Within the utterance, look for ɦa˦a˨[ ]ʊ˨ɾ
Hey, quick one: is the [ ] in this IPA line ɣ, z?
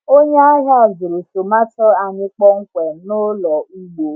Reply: z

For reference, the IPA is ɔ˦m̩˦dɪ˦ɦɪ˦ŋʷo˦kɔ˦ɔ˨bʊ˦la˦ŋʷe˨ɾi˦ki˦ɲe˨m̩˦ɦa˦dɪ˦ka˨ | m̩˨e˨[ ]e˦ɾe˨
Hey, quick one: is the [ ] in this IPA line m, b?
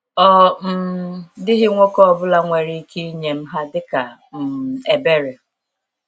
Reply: b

